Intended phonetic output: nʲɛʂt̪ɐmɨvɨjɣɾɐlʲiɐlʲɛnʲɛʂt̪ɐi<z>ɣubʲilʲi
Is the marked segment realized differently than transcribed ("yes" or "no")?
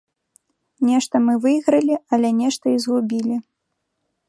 no